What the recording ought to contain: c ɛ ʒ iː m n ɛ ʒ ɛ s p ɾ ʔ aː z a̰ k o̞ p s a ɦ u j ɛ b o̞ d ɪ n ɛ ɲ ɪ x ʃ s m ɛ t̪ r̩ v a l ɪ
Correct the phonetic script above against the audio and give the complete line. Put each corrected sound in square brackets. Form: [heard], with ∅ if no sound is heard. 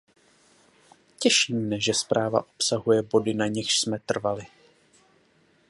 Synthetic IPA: c ɛ [ʃ] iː m n ɛ ʒ ɛ s p ɾ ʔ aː [v] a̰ [ʔ] o̞ p s a ɦ u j ɛ b o̞ d ɪ n [a] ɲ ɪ x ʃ s m ɛ t̪ r̩ v a l ɪ